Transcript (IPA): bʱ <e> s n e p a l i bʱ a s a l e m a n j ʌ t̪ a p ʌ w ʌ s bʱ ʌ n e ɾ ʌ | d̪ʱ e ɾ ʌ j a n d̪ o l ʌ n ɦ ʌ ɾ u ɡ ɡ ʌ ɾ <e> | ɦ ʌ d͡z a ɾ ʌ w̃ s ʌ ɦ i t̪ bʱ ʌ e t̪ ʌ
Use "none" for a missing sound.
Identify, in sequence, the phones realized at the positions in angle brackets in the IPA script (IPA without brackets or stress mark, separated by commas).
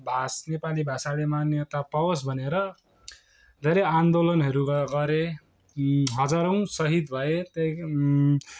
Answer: a, e